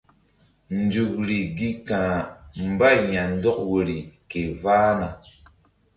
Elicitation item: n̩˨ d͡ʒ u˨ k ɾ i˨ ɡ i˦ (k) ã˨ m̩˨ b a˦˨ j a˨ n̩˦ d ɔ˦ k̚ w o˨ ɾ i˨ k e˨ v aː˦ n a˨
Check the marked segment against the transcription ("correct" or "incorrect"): correct